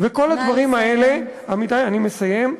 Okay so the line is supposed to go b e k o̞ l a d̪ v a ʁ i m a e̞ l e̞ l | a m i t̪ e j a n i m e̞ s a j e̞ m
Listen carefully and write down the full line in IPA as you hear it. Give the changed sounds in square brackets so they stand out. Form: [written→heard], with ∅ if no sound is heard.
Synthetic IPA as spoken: [b→v] e k o̞ l a d̪ v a ʁ i m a e̞ l e̞ [l→∅] | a m i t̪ [e→a] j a n i m e̞ s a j e̞ m